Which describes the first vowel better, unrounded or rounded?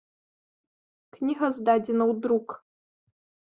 unrounded